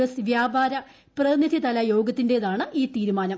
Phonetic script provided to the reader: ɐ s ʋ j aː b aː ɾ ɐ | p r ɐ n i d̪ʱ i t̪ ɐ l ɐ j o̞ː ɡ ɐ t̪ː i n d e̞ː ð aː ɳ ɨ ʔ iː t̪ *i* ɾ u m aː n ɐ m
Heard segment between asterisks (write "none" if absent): iː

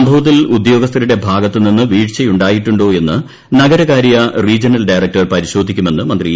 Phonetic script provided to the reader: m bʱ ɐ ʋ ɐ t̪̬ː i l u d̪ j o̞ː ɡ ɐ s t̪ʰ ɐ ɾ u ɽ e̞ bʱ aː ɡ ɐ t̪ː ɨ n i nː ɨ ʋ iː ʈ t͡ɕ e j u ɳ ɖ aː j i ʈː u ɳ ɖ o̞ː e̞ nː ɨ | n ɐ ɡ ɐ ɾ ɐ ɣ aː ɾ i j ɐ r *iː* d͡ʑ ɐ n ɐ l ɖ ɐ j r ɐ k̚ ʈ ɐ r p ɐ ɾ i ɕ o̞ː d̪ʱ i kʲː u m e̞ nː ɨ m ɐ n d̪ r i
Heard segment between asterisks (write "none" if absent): iː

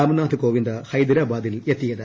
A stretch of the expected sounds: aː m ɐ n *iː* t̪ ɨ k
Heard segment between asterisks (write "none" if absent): aː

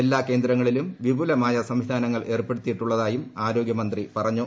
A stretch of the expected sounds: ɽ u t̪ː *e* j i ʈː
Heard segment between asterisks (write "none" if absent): i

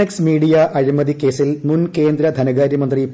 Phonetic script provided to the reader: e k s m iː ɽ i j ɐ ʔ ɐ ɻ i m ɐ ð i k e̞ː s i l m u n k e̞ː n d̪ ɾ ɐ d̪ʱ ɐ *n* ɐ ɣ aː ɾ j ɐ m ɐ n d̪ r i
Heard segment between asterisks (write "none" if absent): n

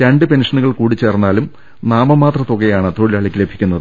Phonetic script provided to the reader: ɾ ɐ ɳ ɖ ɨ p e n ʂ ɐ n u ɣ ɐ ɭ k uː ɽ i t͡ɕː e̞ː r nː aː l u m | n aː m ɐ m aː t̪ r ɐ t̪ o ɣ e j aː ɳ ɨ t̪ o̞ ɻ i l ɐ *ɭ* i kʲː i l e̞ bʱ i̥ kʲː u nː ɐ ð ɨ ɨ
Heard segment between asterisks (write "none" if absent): ɭ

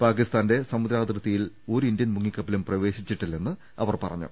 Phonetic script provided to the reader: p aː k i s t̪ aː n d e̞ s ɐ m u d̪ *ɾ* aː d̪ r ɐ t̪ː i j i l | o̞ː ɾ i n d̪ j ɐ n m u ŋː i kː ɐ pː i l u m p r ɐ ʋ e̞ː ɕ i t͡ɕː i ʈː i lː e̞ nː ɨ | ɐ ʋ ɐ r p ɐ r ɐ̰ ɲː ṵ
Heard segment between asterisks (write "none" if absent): ɾ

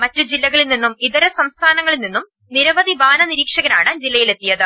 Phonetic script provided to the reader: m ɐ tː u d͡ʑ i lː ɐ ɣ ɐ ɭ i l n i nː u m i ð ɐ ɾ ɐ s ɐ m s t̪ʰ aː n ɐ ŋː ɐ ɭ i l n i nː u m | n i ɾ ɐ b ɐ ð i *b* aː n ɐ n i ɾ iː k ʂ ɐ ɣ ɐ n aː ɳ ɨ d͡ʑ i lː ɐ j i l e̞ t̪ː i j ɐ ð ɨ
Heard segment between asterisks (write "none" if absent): b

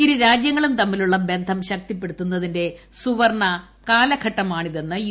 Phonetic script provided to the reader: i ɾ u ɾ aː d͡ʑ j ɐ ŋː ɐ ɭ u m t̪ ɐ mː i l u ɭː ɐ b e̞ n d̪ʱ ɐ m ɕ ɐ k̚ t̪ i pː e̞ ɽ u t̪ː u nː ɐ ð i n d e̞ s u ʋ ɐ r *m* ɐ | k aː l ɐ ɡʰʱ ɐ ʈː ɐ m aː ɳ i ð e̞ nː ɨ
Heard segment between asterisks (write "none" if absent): ɳ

